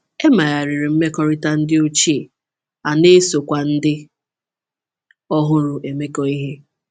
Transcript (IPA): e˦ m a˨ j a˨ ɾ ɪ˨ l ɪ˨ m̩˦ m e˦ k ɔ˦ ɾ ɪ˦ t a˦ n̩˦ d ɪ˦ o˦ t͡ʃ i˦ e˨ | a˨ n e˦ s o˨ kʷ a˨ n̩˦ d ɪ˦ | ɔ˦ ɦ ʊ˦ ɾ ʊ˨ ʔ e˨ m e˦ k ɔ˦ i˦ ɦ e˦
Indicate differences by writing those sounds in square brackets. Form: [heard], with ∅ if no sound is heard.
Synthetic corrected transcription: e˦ m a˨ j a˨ ɾ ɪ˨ [ɾ] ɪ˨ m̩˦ m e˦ k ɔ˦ ɾ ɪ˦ t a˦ n̩˦ d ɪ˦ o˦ t͡ʃ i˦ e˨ | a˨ n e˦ s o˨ kʷ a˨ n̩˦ d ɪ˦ | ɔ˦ ɦ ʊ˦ ɾ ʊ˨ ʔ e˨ m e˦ k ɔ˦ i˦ ɦ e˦